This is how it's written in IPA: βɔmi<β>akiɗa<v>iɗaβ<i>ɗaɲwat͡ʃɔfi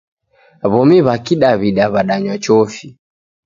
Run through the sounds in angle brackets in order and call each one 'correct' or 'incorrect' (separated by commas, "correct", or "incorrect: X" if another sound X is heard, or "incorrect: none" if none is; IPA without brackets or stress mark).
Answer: correct, incorrect: β, incorrect: a